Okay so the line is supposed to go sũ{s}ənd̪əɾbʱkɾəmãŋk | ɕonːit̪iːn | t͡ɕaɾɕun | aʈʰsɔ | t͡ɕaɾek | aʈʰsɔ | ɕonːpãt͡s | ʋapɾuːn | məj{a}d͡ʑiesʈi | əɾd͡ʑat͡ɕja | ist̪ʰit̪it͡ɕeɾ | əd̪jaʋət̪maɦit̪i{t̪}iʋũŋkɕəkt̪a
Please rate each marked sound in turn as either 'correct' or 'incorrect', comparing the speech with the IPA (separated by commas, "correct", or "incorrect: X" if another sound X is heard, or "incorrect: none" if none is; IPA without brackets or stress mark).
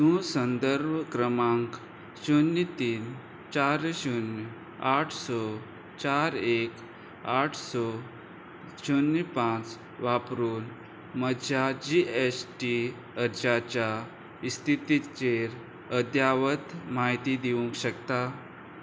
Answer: correct, correct, incorrect: d̪